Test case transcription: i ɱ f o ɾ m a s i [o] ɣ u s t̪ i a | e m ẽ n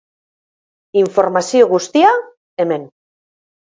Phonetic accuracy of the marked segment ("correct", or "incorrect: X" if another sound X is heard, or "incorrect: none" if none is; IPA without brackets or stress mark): correct